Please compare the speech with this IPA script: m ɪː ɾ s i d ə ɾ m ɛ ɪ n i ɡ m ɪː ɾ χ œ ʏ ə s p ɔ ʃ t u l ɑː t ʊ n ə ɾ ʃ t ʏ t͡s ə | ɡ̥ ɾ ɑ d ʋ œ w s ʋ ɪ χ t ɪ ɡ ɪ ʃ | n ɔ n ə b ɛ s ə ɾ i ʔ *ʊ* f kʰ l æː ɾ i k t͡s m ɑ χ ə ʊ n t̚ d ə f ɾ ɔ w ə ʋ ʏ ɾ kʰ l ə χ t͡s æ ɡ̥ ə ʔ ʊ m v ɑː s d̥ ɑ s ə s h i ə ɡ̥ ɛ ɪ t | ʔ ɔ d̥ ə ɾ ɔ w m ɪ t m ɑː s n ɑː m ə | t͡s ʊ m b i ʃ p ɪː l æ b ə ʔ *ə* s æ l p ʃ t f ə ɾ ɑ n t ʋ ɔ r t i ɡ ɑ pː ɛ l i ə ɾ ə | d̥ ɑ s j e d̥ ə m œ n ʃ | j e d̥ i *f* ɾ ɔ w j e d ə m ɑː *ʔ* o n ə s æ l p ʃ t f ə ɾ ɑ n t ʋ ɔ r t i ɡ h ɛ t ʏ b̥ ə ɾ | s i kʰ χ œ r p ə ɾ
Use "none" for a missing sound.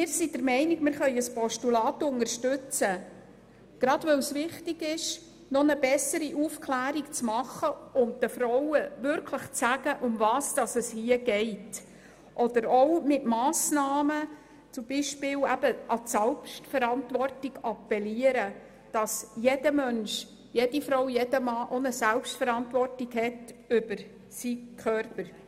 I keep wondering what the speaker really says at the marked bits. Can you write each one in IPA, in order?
u, ɑ, f, ʔ

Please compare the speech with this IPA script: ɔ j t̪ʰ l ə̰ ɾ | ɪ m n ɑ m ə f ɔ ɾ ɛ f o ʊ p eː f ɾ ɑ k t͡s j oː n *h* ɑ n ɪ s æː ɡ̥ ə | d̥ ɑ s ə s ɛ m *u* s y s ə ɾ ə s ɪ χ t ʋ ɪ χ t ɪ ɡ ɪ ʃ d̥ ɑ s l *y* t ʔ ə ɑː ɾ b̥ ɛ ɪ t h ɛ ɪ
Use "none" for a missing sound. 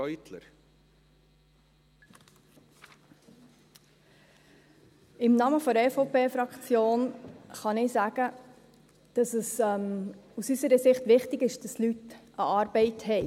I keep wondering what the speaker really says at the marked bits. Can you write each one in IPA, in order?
χ, u, y

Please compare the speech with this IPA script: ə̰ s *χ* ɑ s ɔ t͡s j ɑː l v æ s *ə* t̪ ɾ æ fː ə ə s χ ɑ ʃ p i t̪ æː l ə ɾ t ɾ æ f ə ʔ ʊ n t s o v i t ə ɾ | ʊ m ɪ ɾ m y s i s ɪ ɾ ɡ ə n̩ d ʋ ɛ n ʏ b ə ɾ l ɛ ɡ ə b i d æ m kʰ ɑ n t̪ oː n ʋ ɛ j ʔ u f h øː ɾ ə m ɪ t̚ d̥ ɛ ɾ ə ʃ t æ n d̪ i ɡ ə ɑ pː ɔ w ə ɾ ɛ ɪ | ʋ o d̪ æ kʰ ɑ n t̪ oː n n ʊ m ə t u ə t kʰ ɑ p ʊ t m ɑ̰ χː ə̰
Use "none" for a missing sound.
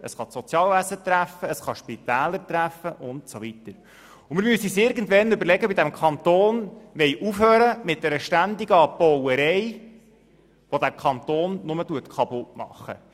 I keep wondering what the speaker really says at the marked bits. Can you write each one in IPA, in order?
χ, ə

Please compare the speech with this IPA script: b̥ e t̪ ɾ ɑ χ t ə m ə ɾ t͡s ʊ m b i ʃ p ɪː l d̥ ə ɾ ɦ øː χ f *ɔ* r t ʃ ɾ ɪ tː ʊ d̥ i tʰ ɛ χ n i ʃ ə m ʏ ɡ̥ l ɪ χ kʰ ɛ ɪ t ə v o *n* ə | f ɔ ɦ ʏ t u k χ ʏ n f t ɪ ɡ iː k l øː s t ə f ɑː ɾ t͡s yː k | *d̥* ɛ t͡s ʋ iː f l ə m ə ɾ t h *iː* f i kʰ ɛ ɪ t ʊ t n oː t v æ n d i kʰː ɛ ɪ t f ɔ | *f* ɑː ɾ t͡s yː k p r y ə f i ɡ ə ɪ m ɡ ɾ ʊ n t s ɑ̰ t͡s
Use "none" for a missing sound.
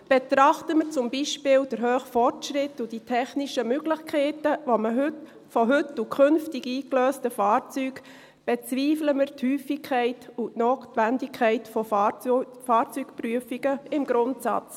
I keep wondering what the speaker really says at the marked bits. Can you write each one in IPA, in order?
ɔ, m, b̥, yː, f

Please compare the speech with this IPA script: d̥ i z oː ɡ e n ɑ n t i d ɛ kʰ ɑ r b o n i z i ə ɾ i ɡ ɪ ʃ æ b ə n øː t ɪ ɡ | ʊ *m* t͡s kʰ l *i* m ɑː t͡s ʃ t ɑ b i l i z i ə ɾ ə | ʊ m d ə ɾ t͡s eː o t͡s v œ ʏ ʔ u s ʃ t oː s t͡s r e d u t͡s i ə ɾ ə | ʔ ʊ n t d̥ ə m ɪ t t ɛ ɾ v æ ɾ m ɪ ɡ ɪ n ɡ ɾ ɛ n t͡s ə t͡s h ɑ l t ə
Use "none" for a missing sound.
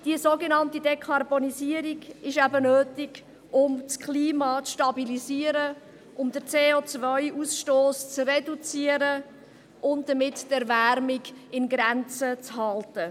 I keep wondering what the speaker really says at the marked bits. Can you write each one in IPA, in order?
m, iː

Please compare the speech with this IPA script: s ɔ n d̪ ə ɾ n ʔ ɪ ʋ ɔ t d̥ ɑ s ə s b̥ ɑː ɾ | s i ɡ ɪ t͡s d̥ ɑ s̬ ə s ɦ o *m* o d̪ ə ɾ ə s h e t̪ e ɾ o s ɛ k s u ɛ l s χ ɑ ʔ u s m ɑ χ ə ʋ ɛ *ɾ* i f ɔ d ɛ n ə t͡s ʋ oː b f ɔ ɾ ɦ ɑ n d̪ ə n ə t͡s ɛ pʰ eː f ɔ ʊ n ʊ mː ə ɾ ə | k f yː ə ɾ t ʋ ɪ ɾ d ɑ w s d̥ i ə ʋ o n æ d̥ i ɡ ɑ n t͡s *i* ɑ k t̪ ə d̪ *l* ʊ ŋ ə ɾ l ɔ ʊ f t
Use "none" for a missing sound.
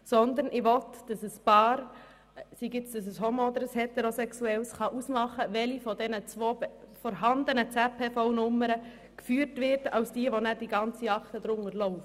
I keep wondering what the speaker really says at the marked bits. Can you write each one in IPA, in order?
m, l, i, ɾ

